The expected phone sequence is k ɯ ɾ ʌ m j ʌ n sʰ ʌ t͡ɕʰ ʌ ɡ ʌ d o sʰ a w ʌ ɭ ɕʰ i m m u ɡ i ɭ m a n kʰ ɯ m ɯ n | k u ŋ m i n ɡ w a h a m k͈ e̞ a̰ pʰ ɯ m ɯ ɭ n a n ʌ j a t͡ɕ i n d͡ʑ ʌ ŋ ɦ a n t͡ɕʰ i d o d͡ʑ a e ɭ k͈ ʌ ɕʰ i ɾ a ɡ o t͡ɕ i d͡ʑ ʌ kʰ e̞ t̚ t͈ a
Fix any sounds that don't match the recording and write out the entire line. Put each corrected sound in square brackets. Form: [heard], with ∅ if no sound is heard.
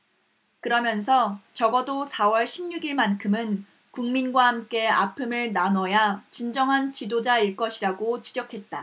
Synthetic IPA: k ɯ ɾ ʌ m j ʌ n sʰ ʌ [t͡ɕ] ʌ ɡ ʌ d o sʰ a w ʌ ɭ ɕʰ i m [ɲ] u ɡ i ɭ m a n kʰ ɯ m ɯ n | k u ŋ m i n ɡ w a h a m k͈ e̞ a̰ pʰ ɯ m ɯ ɭ n a n ʌ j a t͡ɕ i n d͡ʑ ʌ ŋ ɦ a n [t͡ɕ] i d o d͡ʑ a [i] ɭ k͈ ʌ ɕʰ i ɾ a ɡ o t͡ɕ i d͡ʑ ʌ kʰ e̞ t̚ t͈ a